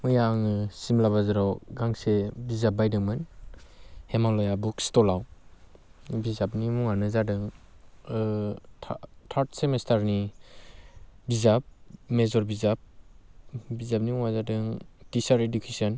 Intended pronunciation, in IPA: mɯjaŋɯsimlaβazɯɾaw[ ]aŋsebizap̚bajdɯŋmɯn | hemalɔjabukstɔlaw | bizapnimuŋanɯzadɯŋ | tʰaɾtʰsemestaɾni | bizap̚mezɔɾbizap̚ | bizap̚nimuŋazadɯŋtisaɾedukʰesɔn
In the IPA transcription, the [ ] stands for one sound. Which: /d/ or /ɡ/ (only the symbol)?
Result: ɡ